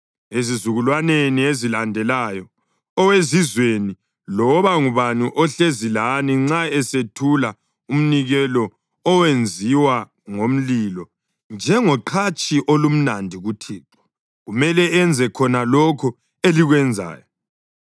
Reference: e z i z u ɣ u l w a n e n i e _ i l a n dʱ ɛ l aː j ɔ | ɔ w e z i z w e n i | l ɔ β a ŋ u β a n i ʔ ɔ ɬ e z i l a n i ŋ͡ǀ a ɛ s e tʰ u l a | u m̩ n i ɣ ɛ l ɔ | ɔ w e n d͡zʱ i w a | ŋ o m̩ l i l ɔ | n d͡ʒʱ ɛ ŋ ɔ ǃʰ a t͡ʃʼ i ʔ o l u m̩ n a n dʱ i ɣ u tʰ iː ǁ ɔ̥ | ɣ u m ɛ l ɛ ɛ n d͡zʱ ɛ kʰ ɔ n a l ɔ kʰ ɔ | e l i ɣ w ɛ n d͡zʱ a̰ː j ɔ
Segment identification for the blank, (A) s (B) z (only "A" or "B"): B